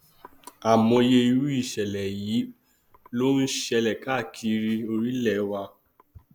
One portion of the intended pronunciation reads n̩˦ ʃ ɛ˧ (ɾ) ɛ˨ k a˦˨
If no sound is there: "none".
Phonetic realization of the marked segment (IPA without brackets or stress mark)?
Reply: l